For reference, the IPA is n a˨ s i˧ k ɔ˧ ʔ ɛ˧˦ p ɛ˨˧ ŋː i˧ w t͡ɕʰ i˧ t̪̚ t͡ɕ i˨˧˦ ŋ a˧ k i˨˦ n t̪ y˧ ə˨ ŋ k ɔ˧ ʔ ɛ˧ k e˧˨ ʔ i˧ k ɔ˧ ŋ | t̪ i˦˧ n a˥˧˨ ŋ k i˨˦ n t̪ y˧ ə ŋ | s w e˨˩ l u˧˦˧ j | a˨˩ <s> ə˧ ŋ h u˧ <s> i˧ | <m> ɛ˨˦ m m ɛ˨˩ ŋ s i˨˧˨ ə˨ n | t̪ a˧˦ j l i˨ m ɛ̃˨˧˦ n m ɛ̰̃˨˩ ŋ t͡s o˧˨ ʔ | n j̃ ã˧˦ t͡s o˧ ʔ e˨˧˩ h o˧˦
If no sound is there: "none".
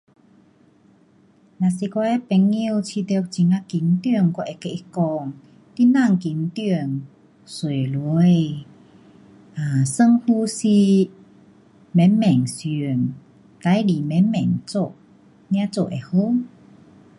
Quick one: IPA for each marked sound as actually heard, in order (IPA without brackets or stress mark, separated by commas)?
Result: s, s, m